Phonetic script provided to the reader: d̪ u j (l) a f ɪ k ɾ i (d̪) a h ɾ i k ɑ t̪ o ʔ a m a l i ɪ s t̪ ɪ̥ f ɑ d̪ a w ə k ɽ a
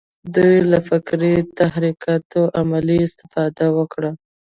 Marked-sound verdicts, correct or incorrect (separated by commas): correct, incorrect